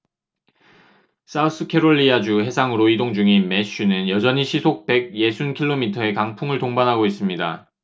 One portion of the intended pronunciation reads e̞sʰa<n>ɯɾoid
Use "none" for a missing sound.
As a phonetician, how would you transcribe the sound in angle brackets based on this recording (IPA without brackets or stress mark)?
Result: ŋ